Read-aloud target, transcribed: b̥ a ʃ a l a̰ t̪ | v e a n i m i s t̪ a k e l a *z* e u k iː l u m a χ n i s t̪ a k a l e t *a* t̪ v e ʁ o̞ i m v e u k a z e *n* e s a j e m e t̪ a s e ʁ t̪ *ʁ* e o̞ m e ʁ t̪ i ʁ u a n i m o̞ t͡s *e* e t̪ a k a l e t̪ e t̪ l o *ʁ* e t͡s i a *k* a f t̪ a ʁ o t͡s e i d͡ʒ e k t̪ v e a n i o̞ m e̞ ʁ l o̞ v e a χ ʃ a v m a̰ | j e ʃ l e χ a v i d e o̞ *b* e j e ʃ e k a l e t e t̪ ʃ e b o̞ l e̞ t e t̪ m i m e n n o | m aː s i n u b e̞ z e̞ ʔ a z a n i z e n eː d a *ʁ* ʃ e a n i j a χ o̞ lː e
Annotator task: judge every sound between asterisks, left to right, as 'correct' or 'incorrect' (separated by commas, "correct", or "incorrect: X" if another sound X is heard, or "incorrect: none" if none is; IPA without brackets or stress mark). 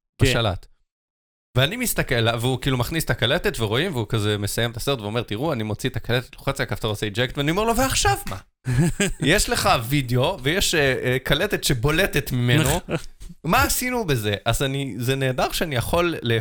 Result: incorrect: v, incorrect: e, incorrect: m, incorrect: v, incorrect: i, incorrect: χ, correct, incorrect: v, correct